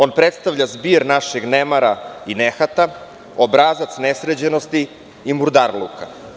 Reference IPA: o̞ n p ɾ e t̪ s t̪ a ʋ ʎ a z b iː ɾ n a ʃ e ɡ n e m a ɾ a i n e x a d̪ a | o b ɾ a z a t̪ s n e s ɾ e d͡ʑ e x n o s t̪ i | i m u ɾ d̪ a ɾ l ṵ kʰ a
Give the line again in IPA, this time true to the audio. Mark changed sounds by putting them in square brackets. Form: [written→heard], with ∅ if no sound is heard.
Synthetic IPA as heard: o̞ n p ɾ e t̪ s t̪ a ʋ ʎ a z b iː ɾ n a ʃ e ɡ n e m a ɾ a i n e x a [d̪→t̪] a | o b ɾ a z a t̪ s n e s ɾ e d͡ʑ e [x→∅] n o s t̪ i | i m u ɾ d̪ a ɾ l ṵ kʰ a